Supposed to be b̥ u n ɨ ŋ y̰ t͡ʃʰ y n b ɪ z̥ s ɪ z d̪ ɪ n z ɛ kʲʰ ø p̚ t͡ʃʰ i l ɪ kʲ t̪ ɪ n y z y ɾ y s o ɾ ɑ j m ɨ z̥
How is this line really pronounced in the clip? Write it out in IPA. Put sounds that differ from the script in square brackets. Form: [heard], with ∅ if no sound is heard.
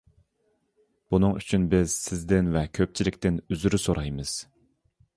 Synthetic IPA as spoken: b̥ u n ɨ ŋ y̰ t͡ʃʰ y n b ɪ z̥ s ɪ z d̪ ɪ n [v] ɛ kʲʰ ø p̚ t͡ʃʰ i l ɪ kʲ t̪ ɪ n y z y ɾ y s o ɾ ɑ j m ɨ z̥